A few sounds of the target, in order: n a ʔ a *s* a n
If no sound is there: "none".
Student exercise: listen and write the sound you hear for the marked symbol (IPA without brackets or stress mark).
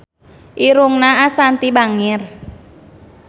s